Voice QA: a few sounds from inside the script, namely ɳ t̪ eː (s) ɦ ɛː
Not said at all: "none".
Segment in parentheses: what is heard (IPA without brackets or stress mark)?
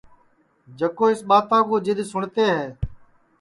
none